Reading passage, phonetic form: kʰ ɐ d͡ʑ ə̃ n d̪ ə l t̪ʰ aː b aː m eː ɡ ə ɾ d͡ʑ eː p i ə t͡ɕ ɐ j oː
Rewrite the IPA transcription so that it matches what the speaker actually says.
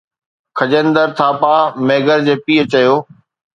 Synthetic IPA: kʰ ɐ d͡ʑ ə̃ n d̪ ə ɾ t̪ʰ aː p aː m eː ɡ ə ɾ d͡ʑ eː p iː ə t͡ɕ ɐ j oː